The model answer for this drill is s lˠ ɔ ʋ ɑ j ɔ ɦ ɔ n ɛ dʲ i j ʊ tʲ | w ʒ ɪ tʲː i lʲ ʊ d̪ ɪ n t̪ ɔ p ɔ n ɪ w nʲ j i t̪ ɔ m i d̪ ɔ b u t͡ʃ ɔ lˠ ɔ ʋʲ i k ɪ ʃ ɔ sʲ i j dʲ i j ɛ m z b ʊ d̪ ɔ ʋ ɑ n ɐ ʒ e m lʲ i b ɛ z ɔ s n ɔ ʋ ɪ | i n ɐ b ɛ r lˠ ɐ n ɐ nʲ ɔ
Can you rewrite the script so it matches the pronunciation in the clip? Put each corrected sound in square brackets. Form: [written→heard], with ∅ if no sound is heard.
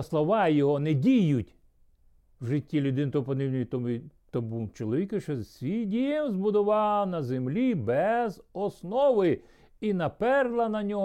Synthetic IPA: s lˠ ɔ ʋ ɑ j ɔ ɦ ɔ n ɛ dʲ i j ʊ tʲ | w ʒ ɪ tʲː i lʲ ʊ d̪ ɪ n t̪ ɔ p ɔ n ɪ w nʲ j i t̪ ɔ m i [d̪→t̪] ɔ b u t͡ʃ ɔ lˠ ɔ ʋʲ i k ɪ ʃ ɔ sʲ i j dʲ i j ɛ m z b ʊ d̪ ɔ ʋ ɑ n ɐ [ʒ→z] e m lʲ i b ɛ z ɔ s n ɔ ʋ ɪ | i n ɐ [b→p] ɛ r lˠ ɐ n ɐ nʲ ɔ